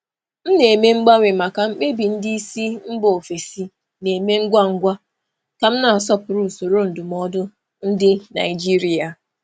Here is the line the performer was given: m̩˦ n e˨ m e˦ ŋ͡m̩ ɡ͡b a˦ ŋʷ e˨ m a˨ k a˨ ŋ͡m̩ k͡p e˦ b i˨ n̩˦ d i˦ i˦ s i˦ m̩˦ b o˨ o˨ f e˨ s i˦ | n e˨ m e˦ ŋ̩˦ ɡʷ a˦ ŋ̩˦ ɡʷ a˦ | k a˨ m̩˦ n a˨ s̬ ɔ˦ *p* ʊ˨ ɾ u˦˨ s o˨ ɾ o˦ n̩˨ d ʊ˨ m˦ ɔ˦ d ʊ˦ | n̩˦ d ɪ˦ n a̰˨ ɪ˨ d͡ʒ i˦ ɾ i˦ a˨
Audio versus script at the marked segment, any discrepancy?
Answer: no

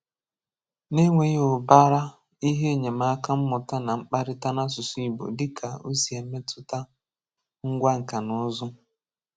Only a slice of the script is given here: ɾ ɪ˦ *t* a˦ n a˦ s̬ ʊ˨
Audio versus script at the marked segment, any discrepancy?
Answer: no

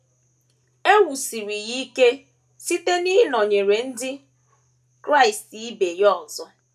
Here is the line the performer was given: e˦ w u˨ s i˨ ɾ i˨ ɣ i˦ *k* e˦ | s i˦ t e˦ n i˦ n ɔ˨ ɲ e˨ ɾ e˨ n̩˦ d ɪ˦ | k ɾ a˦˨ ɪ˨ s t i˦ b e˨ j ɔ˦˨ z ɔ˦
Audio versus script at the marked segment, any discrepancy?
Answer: no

